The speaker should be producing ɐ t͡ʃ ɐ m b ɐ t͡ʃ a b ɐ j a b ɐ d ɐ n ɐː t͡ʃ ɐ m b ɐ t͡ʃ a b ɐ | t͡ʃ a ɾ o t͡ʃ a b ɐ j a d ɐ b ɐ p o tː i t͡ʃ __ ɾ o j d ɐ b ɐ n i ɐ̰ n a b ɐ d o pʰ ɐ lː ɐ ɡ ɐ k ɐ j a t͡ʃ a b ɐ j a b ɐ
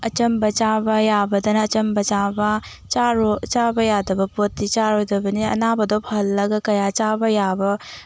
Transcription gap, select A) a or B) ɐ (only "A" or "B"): A